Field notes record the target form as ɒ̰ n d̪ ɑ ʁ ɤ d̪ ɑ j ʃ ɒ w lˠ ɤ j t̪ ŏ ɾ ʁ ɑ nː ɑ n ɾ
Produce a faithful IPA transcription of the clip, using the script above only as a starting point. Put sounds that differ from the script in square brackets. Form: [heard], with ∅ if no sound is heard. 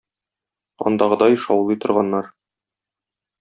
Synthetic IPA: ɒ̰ n d̪ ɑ ʁ ɤ d̪ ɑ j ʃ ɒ w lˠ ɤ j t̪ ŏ ɾ ʁ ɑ nː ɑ [∅] ɾ